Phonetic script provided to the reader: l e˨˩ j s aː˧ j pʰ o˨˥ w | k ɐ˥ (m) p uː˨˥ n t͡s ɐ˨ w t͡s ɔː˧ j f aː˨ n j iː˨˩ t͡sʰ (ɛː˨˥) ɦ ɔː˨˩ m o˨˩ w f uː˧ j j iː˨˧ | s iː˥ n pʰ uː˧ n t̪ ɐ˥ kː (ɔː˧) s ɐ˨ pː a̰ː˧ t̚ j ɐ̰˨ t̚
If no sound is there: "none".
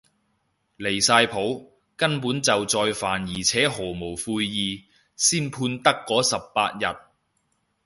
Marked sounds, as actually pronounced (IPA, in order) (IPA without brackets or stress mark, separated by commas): n, ɛː˨˥, ɔː˨˥